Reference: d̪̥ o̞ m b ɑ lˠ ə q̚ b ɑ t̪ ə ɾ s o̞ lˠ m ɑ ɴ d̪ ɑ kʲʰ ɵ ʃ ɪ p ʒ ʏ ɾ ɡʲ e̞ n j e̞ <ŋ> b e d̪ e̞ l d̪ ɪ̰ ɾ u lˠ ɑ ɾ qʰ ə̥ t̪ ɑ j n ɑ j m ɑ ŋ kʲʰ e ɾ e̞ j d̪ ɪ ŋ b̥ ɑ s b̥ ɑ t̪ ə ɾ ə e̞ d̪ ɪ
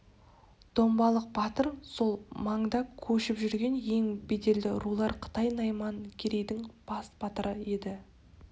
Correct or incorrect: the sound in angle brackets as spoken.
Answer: correct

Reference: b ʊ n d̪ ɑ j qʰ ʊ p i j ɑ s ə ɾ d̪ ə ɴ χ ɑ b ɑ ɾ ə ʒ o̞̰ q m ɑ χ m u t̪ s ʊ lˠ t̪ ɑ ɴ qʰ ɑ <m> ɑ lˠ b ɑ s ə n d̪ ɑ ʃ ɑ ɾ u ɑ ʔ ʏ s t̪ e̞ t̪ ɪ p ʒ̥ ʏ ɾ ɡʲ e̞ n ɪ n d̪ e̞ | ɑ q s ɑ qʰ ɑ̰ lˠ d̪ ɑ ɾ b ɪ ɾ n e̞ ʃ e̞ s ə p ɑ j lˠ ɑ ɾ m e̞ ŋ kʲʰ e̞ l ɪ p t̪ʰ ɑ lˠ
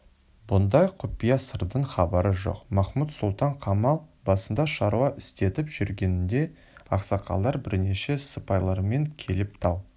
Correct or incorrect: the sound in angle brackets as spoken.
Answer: correct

